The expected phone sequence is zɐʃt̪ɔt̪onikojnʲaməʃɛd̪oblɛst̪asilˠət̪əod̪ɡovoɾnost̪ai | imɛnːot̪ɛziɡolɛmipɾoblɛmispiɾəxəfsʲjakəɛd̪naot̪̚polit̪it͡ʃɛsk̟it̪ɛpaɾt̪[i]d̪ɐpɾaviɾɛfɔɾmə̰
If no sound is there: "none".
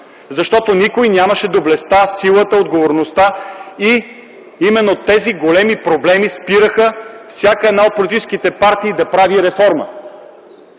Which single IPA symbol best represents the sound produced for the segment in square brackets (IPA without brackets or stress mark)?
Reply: iː